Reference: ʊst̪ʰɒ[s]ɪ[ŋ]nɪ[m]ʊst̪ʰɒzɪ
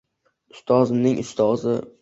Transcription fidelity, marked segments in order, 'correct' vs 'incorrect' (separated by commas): incorrect, incorrect, incorrect